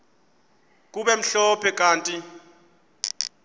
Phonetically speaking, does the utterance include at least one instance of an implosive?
yes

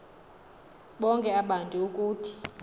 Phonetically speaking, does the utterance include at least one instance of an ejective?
yes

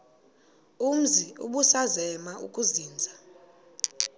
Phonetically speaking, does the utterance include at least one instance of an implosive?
yes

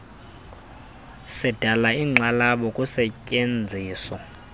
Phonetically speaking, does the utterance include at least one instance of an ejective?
yes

